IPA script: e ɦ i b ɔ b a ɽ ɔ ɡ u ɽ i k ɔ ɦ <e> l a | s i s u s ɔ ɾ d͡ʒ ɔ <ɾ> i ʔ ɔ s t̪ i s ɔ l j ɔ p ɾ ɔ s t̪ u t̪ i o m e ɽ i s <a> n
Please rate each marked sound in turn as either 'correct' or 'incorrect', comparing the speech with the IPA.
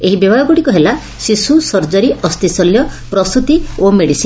correct, correct, incorrect: i

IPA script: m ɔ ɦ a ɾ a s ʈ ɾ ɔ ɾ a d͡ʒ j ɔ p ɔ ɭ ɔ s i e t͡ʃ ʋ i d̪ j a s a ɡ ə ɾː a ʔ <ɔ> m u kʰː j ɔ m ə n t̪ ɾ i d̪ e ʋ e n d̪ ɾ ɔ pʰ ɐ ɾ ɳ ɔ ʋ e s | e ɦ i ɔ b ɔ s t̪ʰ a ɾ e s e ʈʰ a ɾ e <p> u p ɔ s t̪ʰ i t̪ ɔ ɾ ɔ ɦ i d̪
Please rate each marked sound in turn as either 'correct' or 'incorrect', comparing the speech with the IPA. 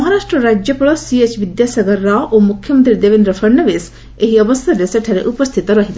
incorrect: o, incorrect: ʔ

